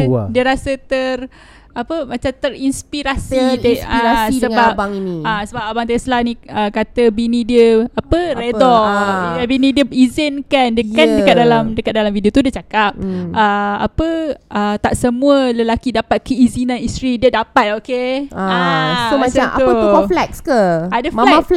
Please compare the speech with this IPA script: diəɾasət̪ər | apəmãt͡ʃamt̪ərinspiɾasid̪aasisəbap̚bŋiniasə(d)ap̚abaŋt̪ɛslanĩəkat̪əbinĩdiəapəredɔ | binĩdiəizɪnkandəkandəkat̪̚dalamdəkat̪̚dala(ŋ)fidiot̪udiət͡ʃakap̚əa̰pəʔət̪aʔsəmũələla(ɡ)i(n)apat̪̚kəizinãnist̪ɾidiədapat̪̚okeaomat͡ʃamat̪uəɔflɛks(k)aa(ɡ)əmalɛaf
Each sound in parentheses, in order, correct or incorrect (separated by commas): incorrect, incorrect, incorrect, incorrect, correct, incorrect